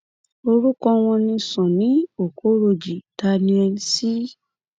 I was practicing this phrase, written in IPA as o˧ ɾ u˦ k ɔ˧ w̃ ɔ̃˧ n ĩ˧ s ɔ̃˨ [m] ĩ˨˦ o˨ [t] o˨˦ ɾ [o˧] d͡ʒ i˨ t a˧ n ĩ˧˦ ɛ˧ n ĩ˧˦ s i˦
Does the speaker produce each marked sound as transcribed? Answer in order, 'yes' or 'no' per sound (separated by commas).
no, no, yes